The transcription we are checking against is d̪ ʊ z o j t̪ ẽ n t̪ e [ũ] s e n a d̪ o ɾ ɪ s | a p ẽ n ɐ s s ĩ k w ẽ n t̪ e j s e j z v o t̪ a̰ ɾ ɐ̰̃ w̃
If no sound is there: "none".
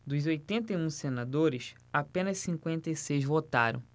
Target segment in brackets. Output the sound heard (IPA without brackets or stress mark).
ũ